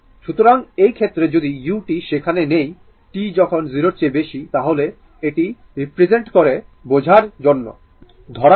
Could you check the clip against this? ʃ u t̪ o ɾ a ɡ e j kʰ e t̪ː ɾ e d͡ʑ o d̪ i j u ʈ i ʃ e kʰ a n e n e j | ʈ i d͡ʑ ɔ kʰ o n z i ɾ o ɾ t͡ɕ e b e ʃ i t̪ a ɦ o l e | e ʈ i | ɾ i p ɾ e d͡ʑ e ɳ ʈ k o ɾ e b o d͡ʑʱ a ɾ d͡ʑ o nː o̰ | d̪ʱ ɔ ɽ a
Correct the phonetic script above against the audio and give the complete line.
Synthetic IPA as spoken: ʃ u t̪ o ɾ a ŋ e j kʰ e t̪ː ɾ e d͡ʑ o d̪ i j u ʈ i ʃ e kʰ a n e n e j | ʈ i d͡ʑ ɔ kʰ o n z i ɾ o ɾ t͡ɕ e b e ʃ i t̪ a ɦ o l e | e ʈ i | ɾ i p ɾ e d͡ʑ e ɳ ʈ k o ɾ e b o d͡ʑʱ a ɾ d͡ʑ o nː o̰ | d̪ʱ ɔ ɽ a